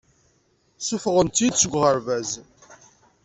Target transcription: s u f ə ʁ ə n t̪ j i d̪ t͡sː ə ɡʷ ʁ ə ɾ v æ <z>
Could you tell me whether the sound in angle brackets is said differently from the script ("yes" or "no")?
no